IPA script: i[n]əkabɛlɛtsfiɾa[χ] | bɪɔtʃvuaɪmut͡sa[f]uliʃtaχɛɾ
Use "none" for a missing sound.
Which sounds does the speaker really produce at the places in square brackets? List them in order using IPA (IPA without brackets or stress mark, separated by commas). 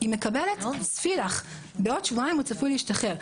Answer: m, χ, f